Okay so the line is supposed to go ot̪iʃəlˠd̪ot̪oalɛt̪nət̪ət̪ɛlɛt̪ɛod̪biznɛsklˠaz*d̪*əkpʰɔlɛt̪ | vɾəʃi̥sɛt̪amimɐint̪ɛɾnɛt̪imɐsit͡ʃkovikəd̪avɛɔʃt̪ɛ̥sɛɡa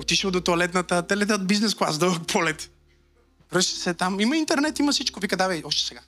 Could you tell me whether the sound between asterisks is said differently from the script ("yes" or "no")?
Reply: no